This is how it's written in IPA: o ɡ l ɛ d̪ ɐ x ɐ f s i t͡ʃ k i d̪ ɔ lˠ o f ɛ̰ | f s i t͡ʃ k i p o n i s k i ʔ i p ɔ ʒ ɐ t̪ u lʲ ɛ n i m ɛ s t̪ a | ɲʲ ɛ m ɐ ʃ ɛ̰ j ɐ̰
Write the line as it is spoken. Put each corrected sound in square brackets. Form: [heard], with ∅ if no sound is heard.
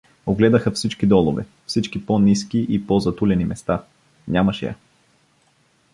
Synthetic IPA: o ɡ l ɛ d̪ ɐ x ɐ f s i t͡ʃ k i d̪ ɔ lˠ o [v] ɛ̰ | f s i t͡ʃ k i p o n i s k i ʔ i p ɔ [z] ɐ t̪ u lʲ ɛ n i m ɛ s t̪ a | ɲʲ [a] m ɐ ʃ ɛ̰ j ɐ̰